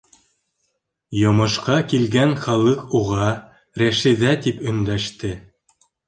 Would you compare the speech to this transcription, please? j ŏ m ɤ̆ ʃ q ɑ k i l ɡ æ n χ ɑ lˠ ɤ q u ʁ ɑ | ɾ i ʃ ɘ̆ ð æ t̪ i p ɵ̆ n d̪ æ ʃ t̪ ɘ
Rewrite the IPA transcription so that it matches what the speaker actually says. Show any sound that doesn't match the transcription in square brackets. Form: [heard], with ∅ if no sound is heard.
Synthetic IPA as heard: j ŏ m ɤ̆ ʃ q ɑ k i l ɡ æ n χ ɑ lˠ ɤ q u ʁ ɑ | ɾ [æ] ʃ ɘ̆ ð æ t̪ i p ɵ̆ n d̪ æ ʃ t̪ ɘ

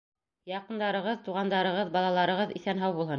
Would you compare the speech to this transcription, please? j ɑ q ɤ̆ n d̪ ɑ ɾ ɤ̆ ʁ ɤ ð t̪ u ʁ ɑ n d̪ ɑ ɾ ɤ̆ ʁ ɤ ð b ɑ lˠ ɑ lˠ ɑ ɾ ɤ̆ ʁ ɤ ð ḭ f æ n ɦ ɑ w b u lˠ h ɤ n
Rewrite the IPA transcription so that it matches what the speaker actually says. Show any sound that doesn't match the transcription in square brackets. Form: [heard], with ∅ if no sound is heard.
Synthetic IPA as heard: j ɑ q ɤ̆ n d̪ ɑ ɾ ɤ̆ ʁ ɤ ð t̪ u ʁ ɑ n d̪ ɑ ɾ ɤ̆ ʁ ɤ ð b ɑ lˠ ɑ lˠ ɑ ɾ ɤ̆ ʁ ɤ ð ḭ [θ] æ n ɦ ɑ w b u lˠ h ɤ n

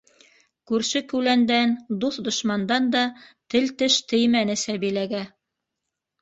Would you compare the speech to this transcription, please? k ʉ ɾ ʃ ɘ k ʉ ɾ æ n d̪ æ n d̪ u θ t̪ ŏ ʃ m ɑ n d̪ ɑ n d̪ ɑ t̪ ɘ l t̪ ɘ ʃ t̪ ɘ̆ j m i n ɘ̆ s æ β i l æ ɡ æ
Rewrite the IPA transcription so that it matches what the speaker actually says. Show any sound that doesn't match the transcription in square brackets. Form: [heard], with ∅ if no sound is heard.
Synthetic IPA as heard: k ʉ ɾ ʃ ɘ k ʉ [l] æ n d̪ æ n d̪ u θ [d̪] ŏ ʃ m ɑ n d̪ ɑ n d̪ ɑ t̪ ɘ l t̪ ɘ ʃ t̪ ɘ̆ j m [æ] n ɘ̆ s æ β i l æ ɡ æ

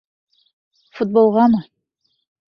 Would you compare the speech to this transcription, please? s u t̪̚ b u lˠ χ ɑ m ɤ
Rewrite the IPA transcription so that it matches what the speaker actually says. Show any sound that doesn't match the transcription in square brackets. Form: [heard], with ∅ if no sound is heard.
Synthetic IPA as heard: [f] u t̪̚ b [o] lˠ [ʁ] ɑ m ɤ

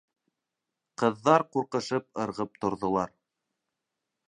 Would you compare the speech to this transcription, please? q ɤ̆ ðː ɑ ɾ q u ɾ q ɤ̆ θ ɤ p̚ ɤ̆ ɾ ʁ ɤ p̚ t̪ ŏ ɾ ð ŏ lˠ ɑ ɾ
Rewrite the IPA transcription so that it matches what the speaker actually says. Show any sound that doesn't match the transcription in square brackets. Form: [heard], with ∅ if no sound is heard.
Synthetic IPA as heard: q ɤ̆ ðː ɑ ɾ q u ɾ q ɤ̆ [ʃ] ɤ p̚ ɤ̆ ɾ ʁ ɤ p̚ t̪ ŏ ɾ ð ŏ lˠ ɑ ɾ

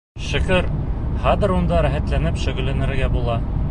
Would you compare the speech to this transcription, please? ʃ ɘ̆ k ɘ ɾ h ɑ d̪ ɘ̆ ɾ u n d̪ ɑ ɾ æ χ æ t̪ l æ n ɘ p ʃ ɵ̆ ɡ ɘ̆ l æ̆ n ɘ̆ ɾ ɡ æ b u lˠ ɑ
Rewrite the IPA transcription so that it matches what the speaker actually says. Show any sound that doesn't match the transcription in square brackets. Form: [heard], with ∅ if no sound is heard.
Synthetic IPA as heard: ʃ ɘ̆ k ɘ ɾ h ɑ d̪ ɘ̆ ɾ u n d̪ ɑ ɾ æ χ æ t̪ l æ n ɘ p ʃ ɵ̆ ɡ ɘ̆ l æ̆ n ɘ̆ ɾ ɡ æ b u lˠ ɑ

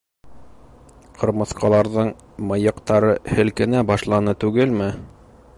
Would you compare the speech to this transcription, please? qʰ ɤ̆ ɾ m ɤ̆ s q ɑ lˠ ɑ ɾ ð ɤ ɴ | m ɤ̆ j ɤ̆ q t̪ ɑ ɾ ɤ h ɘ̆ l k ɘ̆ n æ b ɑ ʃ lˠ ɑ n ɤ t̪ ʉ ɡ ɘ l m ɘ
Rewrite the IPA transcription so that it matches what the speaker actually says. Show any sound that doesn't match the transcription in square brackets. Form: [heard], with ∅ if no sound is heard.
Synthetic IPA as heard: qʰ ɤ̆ ɾ m ɤ̆ [θ] q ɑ lˠ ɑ ɾ ð ɤ ɴ | m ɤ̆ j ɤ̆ q t̪ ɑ ɾ ɤ h ɘ̆ l k ɘ̆ n æ b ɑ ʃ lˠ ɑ n ɤ t̪ ʉ ɡ ɘ l m ɘ

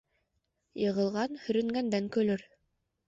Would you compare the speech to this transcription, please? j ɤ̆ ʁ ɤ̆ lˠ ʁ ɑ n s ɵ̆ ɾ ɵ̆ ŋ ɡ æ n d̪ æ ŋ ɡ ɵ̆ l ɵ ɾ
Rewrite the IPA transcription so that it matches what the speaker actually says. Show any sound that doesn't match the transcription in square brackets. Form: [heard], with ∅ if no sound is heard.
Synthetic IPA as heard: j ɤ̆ ʁ ɤ̆ lˠ ʁ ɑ n [h] ɵ̆ ɾ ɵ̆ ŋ ɡ æ n d̪ æ ŋ [k] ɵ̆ l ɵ ɾ

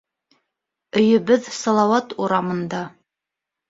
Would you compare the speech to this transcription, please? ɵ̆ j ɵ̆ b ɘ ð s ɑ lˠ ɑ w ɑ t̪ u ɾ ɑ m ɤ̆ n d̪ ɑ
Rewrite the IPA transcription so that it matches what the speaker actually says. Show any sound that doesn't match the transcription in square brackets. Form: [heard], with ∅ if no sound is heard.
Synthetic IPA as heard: ɵ̆ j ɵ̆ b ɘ ð s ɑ lˠ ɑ w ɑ t̪ u ɾ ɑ m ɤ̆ n d̪ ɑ

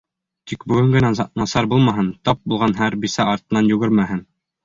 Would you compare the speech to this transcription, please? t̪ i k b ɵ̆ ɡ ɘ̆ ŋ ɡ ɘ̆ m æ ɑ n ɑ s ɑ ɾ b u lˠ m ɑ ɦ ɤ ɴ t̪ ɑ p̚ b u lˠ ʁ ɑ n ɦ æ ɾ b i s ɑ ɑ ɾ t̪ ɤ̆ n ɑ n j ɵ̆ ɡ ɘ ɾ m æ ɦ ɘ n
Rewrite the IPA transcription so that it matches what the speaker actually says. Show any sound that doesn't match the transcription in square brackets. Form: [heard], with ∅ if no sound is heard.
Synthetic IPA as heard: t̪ i k b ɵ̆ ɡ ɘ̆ ŋ ɡ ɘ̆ [n] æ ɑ n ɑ s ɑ ɾ b u lˠ m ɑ ɦ ɤ [n] t̪ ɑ p̚ b u lˠ ʁ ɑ n ɦ æ ɾ b i s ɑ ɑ ɾ t̪ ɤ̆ n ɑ n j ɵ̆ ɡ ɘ ɾ m æ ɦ ɘ n

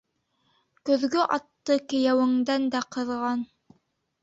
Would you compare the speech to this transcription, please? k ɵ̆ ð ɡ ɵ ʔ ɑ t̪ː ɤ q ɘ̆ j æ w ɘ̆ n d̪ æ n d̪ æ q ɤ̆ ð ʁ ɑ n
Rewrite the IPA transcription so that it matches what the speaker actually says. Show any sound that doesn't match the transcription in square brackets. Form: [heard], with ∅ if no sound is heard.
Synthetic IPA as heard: k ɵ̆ ð ɡ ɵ ʔ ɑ t̪ː ɤ [k] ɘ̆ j æ w ɘ̆ [ŋ] d̪ æ n d̪ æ q ɤ̆ ð ʁ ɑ n

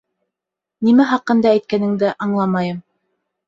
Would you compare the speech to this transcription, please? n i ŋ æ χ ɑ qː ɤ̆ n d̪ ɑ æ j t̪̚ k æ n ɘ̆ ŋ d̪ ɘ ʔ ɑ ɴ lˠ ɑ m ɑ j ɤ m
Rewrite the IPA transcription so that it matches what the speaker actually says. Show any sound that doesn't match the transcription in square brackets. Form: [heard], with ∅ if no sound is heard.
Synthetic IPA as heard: n i [m] æ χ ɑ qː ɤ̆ n d̪ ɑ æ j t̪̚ k æ n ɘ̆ ŋ d̪ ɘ ʔ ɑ ɴ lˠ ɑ m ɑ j ɤ m

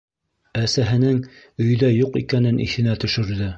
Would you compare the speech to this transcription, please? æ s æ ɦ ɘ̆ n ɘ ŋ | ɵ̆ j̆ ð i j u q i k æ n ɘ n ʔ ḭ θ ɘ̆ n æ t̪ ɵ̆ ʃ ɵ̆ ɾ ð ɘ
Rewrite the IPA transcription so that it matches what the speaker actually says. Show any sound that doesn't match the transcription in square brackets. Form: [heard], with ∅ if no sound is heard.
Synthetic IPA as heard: æ s æ ɦ ɘ̆ n ɘ ŋ | ɵ̆ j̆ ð [æ] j u q i k æ n ɘ n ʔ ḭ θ ɘ̆ n æ t̪ ɵ̆ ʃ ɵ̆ ɾ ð ɘ

